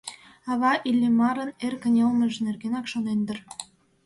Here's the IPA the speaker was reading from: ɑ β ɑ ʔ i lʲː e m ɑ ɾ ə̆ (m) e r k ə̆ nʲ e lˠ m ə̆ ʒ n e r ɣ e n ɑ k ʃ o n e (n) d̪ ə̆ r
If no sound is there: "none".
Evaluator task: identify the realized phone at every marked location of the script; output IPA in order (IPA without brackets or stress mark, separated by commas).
n, n